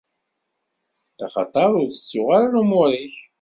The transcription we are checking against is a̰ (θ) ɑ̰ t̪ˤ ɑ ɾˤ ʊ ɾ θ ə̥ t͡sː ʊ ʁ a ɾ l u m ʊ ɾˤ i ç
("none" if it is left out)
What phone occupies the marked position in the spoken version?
χ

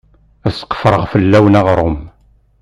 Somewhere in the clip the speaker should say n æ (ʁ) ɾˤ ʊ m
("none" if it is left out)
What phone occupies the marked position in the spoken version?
ʁ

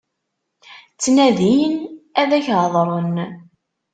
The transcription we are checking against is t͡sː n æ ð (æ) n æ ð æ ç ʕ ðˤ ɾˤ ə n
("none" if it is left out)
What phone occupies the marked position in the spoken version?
i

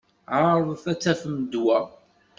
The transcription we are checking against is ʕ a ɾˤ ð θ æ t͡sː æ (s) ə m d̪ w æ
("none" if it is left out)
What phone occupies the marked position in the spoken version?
f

